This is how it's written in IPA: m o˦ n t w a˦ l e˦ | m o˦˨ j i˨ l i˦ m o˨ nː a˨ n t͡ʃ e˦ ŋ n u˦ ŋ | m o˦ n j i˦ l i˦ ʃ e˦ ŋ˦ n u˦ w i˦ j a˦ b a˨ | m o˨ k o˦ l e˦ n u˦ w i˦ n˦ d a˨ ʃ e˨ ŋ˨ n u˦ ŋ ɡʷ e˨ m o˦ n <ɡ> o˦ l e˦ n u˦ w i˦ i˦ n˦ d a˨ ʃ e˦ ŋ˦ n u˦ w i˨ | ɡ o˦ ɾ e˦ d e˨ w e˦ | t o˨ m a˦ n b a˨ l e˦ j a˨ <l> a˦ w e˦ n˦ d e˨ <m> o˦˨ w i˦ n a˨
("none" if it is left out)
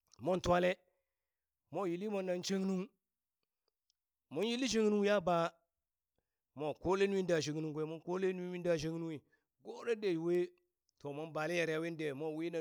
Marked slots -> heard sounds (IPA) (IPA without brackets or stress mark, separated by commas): k, ɾ, m